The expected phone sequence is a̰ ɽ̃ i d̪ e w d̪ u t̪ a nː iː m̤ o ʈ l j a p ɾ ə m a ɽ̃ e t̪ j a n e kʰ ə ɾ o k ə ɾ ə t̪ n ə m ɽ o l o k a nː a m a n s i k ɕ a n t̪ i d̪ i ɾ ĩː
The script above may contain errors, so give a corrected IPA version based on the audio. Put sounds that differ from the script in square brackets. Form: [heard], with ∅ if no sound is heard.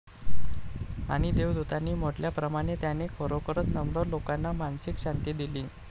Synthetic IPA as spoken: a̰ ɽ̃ i d̪ e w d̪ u t̪ a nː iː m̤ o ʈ l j a p ɾ ə m a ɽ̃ e t̪ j a n e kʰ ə ɾ o k ə ɾ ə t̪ n ə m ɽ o l o k a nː a m a n s i k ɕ a n t̪ i d̪ i [l] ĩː